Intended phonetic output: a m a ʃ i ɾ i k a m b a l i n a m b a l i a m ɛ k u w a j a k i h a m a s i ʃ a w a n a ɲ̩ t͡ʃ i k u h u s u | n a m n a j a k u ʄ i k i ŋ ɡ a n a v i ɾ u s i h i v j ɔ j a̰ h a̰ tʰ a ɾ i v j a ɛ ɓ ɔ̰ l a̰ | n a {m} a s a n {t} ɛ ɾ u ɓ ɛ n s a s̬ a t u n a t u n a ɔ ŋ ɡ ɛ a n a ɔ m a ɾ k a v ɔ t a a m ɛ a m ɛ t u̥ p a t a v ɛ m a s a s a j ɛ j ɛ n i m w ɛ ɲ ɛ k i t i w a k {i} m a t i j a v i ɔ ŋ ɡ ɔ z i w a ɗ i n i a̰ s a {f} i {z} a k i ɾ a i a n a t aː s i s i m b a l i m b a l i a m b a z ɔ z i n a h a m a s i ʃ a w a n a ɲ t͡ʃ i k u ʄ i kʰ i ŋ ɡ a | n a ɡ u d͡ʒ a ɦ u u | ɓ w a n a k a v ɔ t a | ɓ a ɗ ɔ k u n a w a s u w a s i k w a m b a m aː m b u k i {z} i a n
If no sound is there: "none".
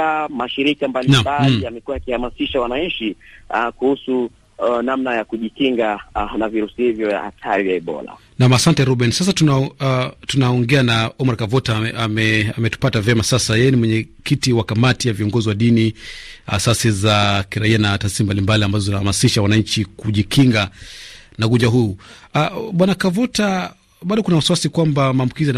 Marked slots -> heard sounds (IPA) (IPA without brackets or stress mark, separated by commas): m, t, a, s, z, z